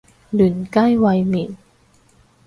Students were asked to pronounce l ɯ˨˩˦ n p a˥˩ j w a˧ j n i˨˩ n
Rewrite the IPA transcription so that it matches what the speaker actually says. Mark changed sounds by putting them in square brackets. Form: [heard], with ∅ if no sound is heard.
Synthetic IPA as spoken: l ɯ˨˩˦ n [k] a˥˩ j w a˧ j [m] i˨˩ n